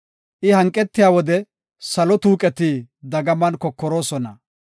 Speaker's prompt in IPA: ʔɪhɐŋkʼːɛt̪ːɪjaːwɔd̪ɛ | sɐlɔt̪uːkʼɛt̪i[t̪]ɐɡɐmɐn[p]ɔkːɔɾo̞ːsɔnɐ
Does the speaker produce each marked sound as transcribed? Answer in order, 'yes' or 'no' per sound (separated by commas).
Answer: no, no